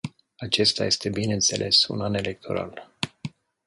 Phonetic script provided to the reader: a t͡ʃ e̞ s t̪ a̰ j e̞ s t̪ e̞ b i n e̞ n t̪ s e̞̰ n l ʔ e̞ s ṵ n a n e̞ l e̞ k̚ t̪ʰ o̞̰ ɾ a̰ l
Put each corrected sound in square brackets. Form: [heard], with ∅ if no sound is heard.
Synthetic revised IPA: a t͡ʃ e̞ s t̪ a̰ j e̞ s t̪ e̞ b i n e̞ n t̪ s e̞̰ [∅] l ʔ e̞ s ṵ n a n e̞ l e̞ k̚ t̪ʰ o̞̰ ɾ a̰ l

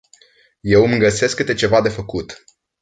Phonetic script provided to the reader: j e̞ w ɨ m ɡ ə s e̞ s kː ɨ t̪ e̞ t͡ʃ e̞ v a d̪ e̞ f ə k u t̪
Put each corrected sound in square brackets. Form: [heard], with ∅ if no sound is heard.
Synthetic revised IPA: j e̞ w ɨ m ɡ ə s e̞ s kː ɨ t̪ e̞ t͡ʃ e̞ v a d̪ e̞ f ə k u t̪

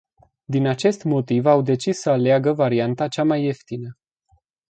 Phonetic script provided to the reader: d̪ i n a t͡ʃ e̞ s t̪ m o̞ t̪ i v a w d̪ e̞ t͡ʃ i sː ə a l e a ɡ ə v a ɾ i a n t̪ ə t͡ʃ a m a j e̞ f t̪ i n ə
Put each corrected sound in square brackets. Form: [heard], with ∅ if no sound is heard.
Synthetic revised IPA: d̪ i n a t͡ʃ e̞ s t̪ m o̞ t̪ i v a w d̪ e̞ t͡ʃ i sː ə a l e a ɡ ə v a ɾ i a n t̪ [a] t͡ʃ a m a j e̞ f t̪ i n ə

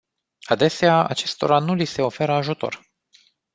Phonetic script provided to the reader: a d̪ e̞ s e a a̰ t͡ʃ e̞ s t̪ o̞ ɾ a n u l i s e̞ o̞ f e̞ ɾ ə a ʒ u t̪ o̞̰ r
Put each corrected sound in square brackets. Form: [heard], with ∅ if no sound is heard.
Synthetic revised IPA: a d̪ e̞ s e a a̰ t͡ʃ e̞ s t̪ o̞ ɾ a n u l i s e̞ o̞ f e̞ ɾ ə a ʒ u t̪ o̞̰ r

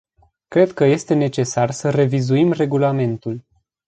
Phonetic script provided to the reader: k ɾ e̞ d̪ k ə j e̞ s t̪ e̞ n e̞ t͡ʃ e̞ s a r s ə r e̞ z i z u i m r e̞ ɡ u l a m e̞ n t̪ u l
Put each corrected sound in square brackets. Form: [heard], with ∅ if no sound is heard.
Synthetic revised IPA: k ɾ e̞ d̪ k ə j e̞ s t̪ e̞ n e̞ t͡ʃ e̞ s a r s ə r e̞ [v] i z u i m r e̞ ɡ u l a m e̞ n t̪ u l

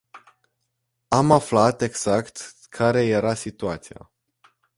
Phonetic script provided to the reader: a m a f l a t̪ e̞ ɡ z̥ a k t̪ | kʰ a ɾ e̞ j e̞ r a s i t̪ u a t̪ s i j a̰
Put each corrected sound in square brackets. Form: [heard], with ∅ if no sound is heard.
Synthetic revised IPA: a m a f l a t̪ e̞ ɡ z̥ a k t̪ | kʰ a ɾ e̞ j e̞ [ɾ] a s i t̪ u a t̪ s i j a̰

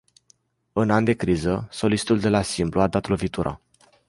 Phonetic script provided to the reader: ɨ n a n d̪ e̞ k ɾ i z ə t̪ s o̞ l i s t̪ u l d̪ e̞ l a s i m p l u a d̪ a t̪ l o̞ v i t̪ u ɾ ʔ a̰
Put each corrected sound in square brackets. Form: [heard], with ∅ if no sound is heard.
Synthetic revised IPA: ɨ n a n d̪ e̞ k ɾ i z ə [∅] s o̞ l i s t̪ u l d̪ e̞ l a s i m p l u a d̪ a t̪ l o̞ v i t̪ u ɾ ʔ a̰

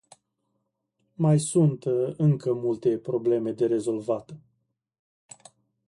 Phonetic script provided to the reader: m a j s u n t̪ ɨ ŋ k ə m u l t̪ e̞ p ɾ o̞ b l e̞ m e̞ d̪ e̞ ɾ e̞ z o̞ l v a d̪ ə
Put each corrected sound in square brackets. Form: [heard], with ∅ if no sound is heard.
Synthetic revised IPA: m a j s u n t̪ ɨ ŋ k ə m u l t̪ e̞ p ɾ o̞ b l e̞ m e̞ d̪ e̞ ɾ e̞ z o̞ l v a [t̪] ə

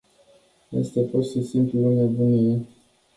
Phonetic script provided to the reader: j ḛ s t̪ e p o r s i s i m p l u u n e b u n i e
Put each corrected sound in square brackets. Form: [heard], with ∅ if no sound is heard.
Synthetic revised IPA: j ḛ s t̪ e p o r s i s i m p l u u n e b u n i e

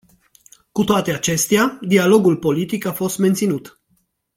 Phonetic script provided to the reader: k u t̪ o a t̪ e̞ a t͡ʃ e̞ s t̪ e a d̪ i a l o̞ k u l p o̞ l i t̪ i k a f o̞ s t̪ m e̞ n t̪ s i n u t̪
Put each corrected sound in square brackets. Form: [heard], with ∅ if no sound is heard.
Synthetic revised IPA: k u t̪ o a t̪ e̞ a t͡ʃ e̞ s t̪ e a d̪ i a l o̞ [ɡ] u l p o̞ l i t̪ i k a f o̞ s t̪ m e̞ n t̪ s i n u t̪

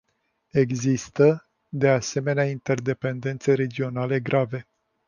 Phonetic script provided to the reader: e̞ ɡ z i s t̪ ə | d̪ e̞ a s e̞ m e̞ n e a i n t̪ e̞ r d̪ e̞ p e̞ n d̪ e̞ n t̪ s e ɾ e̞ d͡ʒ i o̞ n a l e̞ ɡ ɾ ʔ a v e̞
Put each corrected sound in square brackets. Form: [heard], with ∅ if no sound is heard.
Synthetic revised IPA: e̞ ɡ z i s t̪ ə | d̪ e̞ a s e̞ m e̞ n e a i n t̪ e̞ r d̪ e̞ p e̞ n d̪ e̞ n t̪ s e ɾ e̞ d͡ʒ i o̞ n a l e̞ ɡ ɾ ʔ a v e̞

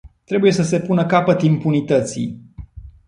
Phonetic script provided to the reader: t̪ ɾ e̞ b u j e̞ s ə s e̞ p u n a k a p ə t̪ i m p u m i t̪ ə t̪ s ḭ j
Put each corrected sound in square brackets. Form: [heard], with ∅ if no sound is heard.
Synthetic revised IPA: t̪ ɾ e̞ b u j e̞ s ə s e̞ p u n [ə] k a p ə t̪ i m p u [n] i t̪ ə t̪ s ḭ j

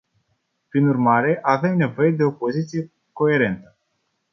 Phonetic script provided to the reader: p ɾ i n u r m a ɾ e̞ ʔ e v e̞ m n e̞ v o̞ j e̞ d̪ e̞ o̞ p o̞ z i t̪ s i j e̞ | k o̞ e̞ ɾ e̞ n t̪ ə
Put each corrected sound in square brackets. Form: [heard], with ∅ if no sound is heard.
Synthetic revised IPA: p ɾ i n u r m a ɾ e̞ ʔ [a] v e̞ m n e̞ v o̞ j e̞ d̪ e̞ o̞ p o̞ z i t̪ s i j e̞ | k o̞ e̞ ɾ e̞ n t̪ ə

